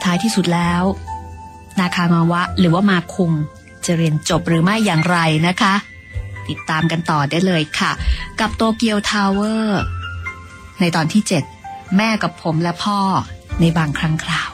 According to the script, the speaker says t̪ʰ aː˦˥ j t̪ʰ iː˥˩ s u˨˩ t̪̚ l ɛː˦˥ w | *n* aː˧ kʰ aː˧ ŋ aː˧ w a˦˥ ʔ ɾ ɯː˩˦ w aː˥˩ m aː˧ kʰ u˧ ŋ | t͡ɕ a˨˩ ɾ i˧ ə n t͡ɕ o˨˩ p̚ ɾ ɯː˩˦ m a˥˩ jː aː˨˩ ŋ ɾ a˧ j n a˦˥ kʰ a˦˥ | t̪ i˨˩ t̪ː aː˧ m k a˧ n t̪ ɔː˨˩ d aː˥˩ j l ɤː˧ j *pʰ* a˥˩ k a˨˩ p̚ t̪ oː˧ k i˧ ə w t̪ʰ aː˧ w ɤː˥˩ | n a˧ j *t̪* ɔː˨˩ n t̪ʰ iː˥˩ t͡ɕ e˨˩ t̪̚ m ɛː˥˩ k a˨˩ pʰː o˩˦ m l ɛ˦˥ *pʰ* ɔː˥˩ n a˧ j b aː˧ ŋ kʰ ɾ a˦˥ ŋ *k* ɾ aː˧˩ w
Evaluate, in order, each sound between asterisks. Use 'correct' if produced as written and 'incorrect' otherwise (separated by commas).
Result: correct, incorrect, correct, correct, incorrect